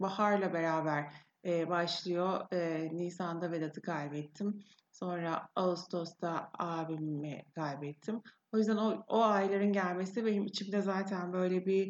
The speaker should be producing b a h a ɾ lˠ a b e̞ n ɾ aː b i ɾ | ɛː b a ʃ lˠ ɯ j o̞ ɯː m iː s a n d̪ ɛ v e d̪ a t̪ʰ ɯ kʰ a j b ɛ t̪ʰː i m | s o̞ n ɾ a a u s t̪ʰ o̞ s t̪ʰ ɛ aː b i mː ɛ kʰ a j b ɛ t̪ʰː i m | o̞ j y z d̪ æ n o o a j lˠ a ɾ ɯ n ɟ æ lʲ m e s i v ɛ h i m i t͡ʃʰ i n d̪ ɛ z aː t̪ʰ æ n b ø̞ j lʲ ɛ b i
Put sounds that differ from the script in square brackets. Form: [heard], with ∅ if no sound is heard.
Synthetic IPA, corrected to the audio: b a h a ɾ lˠ a b e̞ [∅] ɾ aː b [æ] ɾ | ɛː b a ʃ lˠ ɯ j o̞ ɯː [n] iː s a n d̪ [a] v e d̪ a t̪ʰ ɯ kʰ a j b ɛ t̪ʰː i m | s o̞ n ɾ a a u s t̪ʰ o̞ s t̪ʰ [a] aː b i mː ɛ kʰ a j b ɛ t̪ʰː i m | o̞ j y z d̪ æ n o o a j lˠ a ɾ ɯ n ɟ æ lʲ m e s i v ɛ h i m i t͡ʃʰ i [m] d̪ ɛ z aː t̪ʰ æ n b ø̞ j lʲ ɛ b i